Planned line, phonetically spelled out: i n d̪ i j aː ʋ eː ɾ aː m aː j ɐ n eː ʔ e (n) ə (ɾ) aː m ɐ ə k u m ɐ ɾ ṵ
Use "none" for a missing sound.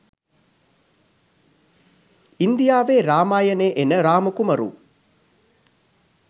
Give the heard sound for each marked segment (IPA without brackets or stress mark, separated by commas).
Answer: n, ɾ